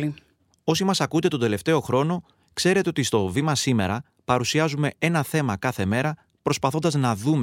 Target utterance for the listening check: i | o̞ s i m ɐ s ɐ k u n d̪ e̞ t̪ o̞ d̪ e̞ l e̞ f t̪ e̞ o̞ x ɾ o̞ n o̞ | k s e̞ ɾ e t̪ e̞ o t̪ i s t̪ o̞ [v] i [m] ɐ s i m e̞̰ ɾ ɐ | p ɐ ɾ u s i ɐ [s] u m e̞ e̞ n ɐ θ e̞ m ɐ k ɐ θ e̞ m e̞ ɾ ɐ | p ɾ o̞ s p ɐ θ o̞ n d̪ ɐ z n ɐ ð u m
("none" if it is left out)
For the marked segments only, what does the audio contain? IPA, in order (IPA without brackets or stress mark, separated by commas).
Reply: v, m, z